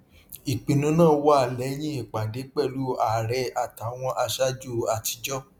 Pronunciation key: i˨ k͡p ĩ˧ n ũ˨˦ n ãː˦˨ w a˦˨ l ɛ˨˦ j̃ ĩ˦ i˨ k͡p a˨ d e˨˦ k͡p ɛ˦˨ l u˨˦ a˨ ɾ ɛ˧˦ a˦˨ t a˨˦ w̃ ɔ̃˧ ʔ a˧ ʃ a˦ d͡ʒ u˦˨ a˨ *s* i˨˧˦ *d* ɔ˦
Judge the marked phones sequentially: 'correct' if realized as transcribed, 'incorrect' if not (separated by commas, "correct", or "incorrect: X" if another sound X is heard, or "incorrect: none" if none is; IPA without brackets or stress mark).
incorrect: t, incorrect: d͡ʒ